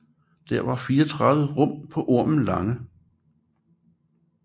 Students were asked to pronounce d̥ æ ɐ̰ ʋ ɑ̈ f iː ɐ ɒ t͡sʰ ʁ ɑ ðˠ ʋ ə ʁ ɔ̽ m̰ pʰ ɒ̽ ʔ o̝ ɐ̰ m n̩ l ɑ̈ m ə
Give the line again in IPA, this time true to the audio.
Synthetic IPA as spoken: d̥ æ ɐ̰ ʋ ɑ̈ f iː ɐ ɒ t͡sʰ ʁ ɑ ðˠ ʋ ə ʁ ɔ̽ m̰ pʰ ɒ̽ ʔ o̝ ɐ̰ m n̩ l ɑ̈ ŋ ə